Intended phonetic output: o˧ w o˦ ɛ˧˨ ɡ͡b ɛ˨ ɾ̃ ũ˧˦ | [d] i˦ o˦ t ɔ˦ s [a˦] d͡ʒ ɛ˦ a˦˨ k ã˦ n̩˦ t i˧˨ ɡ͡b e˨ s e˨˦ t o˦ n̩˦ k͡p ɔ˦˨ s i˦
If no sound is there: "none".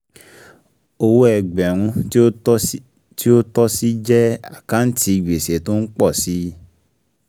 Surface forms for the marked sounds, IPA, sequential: t, i˦

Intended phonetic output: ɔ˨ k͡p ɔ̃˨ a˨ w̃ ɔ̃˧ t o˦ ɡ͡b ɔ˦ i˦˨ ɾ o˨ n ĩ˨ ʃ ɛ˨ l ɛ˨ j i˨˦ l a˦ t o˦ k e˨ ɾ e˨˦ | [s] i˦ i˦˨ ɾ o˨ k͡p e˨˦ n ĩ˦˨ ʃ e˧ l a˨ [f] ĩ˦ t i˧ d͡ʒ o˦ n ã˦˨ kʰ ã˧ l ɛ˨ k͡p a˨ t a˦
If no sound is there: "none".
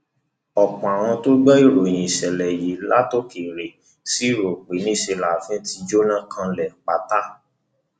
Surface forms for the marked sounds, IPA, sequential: s, f

